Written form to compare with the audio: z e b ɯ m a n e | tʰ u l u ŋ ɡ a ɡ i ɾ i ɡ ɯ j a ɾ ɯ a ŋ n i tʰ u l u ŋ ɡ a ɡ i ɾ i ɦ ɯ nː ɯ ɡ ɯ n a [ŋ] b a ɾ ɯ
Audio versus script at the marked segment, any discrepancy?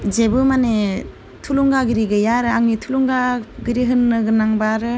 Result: no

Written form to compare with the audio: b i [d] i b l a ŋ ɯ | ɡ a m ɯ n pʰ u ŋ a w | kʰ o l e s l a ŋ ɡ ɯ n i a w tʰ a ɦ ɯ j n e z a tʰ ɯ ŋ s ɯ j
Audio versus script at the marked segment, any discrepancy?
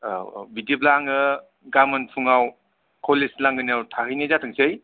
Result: no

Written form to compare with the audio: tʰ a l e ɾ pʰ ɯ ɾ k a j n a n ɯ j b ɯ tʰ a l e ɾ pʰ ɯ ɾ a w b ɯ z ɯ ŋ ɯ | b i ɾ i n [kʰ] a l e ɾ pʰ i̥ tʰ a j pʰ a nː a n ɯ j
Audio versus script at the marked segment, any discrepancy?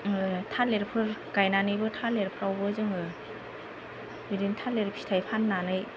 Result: yes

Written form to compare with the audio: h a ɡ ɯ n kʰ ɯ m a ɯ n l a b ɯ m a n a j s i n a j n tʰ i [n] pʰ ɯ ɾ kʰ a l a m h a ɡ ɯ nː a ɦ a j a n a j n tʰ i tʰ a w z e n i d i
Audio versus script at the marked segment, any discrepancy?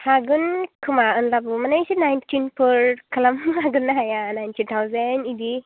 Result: no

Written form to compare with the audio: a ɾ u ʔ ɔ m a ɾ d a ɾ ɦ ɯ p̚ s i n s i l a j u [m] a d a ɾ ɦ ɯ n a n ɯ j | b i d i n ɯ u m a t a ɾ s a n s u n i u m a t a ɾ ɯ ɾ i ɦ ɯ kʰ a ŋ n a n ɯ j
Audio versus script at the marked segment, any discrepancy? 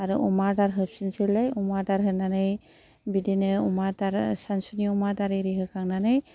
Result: no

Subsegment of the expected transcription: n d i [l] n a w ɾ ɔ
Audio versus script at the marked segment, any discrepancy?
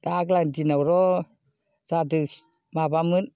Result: yes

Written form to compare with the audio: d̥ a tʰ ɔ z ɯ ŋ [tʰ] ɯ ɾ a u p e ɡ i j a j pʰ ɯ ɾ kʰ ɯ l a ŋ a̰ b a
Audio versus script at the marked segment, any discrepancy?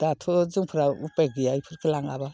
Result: yes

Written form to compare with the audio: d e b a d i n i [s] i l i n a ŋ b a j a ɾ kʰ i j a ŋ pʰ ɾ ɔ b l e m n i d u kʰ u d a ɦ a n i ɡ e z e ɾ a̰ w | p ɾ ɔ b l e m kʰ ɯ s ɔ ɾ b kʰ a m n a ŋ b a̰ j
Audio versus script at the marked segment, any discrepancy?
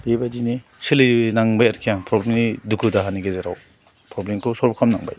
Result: no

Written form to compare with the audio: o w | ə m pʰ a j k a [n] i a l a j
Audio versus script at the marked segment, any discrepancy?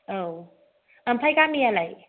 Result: yes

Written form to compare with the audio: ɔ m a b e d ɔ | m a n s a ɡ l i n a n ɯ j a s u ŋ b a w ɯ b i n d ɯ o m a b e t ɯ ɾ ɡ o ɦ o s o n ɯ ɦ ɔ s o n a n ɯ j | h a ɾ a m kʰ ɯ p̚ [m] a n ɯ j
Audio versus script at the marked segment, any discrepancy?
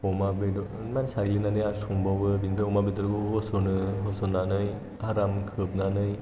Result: yes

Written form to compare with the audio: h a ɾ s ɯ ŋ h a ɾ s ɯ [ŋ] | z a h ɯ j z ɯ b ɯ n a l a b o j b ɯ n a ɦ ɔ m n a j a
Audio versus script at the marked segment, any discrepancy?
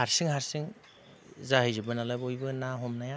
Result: no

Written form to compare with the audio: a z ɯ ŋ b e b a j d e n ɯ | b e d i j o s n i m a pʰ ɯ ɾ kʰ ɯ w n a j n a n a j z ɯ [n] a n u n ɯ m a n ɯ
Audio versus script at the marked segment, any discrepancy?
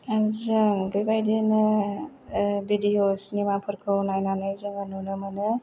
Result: yes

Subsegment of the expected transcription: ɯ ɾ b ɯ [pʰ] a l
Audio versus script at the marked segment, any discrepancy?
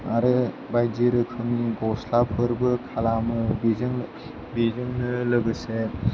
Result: yes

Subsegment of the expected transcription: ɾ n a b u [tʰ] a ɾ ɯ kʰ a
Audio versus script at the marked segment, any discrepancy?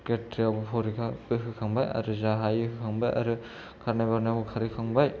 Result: yes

